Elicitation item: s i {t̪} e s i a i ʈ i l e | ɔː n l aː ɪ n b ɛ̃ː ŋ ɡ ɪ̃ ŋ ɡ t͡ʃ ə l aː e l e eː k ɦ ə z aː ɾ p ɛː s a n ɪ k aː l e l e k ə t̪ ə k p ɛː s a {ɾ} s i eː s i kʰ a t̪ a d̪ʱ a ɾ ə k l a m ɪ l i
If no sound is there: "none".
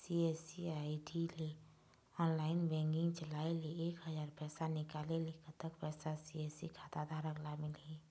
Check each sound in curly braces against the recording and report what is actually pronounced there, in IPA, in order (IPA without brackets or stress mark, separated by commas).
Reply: none, none